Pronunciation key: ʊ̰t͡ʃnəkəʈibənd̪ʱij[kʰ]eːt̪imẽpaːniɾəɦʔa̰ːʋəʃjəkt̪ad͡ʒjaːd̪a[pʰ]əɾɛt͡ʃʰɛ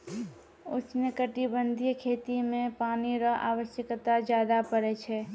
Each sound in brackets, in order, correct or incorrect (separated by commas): correct, incorrect